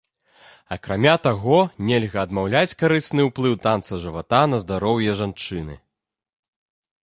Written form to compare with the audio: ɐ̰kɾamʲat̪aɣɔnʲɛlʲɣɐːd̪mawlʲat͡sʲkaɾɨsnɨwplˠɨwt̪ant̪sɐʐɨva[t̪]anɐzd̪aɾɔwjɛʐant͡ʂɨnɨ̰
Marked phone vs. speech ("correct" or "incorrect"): correct